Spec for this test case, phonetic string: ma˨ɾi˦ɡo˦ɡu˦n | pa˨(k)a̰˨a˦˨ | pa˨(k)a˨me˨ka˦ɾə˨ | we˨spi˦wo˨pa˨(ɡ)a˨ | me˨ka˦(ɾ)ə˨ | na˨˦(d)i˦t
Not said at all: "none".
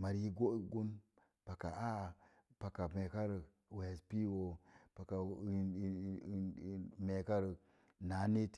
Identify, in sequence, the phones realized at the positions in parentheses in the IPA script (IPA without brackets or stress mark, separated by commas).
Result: k, k, k, ɾ, n